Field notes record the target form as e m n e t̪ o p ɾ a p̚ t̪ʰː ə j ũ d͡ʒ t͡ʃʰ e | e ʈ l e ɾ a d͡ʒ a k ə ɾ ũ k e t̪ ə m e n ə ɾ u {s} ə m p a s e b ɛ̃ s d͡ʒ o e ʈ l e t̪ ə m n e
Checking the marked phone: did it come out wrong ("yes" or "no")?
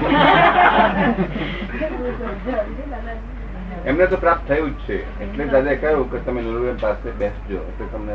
yes